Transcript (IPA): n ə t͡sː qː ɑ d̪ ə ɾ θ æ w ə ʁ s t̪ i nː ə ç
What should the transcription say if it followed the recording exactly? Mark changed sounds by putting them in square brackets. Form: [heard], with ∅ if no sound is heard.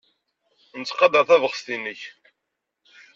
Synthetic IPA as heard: n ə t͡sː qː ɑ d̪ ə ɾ θ æ [v] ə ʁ s t̪ i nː ə ç